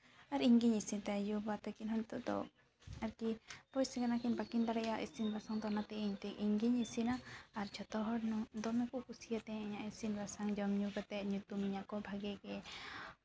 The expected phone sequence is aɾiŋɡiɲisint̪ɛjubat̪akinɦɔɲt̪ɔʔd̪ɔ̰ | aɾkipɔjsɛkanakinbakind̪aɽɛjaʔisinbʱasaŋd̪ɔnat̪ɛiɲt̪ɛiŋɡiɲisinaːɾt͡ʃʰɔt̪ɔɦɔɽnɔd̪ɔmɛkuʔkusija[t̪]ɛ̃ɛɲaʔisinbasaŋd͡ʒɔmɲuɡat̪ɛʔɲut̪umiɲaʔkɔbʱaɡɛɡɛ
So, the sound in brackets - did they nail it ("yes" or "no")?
yes